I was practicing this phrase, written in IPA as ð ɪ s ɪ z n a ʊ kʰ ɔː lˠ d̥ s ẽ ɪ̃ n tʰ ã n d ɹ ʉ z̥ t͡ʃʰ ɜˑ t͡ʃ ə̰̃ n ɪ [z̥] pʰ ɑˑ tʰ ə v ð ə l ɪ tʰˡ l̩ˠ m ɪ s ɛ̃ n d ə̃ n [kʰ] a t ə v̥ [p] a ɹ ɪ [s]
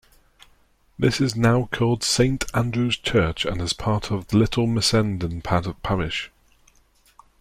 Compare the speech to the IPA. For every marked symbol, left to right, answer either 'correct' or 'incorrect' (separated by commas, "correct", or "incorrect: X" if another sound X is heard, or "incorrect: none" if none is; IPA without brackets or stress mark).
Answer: correct, incorrect: pʰ, incorrect: pʰ, incorrect: ʃ